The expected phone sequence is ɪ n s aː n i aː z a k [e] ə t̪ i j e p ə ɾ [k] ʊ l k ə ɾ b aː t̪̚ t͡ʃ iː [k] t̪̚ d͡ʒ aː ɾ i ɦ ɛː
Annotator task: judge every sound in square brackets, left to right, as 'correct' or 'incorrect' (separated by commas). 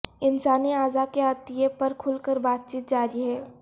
correct, incorrect, incorrect